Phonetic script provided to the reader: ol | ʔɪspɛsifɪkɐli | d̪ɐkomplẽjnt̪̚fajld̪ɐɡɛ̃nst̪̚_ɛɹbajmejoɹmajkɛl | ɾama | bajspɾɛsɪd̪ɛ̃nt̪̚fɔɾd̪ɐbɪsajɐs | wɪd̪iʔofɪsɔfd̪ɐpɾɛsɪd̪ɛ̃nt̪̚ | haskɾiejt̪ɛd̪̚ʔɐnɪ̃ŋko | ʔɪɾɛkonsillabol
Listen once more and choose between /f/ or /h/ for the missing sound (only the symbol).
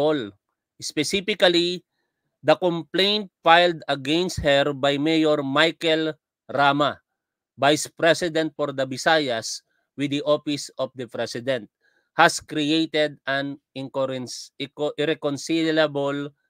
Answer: h